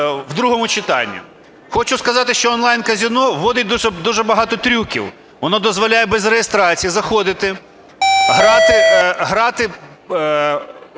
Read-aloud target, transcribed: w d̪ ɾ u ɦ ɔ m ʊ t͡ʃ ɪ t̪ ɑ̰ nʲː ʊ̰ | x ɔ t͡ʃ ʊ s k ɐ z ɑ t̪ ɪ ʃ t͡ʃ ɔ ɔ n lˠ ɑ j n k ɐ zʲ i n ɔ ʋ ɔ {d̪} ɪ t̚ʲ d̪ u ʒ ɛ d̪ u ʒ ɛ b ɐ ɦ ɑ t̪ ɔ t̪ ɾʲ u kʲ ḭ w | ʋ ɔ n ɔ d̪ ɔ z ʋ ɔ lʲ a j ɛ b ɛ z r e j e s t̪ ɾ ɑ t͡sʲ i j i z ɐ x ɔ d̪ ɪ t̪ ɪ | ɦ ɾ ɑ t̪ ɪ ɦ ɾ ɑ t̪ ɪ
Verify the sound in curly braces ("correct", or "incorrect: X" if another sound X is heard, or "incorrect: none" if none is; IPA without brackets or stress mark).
correct